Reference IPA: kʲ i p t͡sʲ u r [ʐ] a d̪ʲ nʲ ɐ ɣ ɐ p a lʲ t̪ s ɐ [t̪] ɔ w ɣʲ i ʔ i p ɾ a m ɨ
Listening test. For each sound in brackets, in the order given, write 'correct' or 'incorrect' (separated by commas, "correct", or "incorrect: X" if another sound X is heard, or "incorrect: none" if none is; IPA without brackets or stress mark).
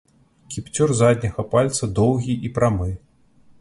incorrect: z, incorrect: d̪